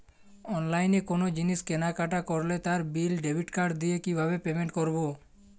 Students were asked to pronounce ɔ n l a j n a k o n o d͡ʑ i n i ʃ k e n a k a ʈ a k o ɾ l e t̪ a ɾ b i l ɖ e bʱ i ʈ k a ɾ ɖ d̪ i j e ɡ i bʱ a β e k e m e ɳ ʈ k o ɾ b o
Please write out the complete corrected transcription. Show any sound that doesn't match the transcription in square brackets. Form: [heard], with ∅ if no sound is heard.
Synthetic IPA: ɔ n l a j n [e] k o n o d͡ʑ i n i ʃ k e n a k a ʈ a k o ɾ l e t̪ a ɾ b i l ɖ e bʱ i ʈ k a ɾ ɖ d̪ i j e [k] i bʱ a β e [p] e m e ɳ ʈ k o ɾ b o